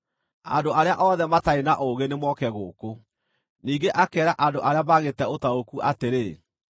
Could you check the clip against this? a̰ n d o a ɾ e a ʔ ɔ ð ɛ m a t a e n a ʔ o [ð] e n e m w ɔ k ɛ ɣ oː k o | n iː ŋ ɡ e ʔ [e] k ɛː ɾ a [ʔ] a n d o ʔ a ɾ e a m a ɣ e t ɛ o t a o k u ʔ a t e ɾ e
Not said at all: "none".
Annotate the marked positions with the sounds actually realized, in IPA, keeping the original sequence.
ɣ, a, ʔ

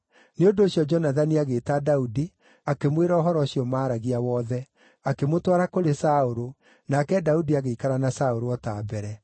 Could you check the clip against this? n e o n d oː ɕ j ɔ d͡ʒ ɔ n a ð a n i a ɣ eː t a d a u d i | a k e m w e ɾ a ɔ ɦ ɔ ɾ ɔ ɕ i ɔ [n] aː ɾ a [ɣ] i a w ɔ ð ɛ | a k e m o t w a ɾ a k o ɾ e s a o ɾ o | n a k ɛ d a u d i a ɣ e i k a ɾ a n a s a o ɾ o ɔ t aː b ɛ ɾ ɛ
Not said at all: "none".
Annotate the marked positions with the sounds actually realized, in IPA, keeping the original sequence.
m, ɣ

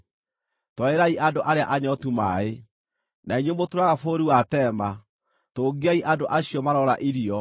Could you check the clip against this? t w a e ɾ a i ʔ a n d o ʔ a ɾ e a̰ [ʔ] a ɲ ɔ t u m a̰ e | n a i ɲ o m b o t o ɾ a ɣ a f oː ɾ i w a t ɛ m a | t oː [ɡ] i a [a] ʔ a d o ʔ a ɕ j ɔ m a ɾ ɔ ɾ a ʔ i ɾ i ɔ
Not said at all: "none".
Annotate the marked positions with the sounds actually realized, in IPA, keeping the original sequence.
ʔ, ɡ, i

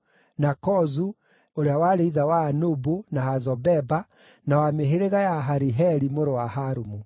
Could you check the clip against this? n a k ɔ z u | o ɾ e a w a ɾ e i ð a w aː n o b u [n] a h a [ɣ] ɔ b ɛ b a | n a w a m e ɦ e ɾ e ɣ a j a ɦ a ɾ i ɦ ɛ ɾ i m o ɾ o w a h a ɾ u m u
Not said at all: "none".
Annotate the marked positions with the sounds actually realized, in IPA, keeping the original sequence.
n, z

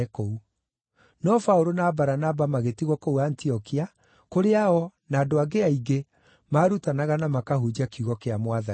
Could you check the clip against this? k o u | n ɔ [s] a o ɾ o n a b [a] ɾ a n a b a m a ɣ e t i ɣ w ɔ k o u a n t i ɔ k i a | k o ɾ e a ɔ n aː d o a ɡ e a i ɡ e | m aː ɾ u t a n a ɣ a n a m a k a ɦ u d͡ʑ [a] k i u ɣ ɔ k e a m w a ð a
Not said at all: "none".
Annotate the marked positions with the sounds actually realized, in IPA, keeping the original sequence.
f, a, a

